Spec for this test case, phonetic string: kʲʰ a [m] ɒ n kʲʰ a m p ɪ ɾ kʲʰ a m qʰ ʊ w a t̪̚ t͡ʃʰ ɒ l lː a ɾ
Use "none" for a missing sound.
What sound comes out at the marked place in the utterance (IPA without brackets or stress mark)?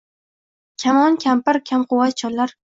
m